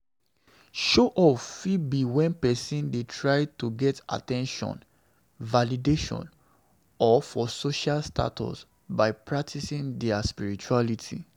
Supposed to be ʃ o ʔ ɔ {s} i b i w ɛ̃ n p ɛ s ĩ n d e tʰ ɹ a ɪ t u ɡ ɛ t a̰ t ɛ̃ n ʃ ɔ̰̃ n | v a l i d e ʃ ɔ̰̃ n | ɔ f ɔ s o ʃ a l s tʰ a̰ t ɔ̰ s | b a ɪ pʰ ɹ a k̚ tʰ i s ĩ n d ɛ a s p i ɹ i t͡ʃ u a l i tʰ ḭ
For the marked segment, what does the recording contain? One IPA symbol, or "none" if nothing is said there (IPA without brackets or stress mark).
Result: f